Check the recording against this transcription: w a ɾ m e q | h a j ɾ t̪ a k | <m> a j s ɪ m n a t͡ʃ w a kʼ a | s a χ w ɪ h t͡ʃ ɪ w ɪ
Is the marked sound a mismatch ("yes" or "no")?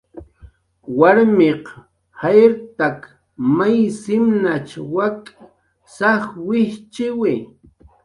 no